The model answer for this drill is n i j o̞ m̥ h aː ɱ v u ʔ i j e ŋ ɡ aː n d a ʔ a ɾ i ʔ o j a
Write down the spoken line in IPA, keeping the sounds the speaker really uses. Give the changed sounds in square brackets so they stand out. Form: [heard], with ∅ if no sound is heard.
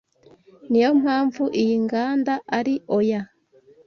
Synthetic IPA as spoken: n i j o̞ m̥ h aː ɱ v u ʔ i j [i] ŋ ɡ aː n d a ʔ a ɾ i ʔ o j a